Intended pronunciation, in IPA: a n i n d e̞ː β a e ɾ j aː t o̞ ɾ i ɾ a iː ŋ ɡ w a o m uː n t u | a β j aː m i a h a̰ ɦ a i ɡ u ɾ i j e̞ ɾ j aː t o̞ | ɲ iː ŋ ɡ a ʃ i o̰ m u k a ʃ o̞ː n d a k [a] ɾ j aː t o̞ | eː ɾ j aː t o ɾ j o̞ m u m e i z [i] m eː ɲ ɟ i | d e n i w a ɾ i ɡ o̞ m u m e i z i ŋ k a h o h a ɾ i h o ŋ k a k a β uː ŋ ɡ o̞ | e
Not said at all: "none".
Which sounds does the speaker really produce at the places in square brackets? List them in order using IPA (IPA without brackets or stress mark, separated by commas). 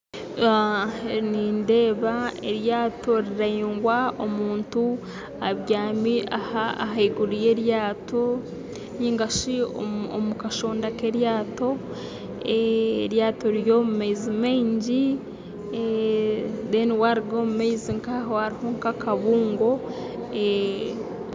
e, i